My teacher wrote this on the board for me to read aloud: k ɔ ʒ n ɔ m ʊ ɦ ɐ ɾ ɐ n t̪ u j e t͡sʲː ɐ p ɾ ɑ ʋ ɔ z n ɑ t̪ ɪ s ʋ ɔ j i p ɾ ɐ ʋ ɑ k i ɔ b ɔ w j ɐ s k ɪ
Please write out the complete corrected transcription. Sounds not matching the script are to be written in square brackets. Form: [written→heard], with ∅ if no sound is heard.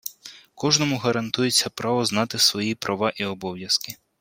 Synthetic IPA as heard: k ɔ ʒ n ɔ m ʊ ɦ ɐ ɾ ɐ n t̪ u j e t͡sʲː ɐ p ɾ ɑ ʋ ɔ z n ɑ t̪ ɪ s ʋ ɔ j i p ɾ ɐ ʋ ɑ [k→ʔ] i ɔ b ɔ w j ɐ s k ɪ